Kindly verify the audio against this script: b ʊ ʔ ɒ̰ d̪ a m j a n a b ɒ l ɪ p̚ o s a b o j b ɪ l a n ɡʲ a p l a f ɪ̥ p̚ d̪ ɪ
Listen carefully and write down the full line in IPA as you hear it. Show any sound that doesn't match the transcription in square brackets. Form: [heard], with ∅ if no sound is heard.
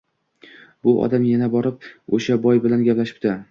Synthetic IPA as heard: b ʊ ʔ ɒ̰ d̪ a m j a n a b ɒ [ɾ] ɪ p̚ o [ʃ] a b [ɒ] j b ɪ l a n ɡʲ a p l a [ʃ] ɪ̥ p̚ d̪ ɪ